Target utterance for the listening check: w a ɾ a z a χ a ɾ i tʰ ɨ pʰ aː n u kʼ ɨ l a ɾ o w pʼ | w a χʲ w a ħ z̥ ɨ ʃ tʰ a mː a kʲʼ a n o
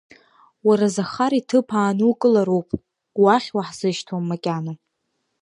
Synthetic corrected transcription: w a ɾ a z a χ a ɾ i tʰ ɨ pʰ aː n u kʼ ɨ l a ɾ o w pʼ | w a χʲ w a ħ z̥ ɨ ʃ tʰ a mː a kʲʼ a n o